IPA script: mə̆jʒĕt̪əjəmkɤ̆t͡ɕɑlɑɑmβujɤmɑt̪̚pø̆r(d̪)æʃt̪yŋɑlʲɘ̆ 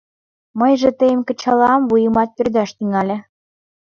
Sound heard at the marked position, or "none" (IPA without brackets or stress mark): d̪